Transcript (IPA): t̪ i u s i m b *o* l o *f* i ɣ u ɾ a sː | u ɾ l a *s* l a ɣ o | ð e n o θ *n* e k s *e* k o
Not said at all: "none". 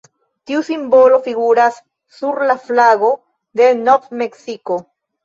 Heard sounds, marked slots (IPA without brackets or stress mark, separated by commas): o, f, f, m, i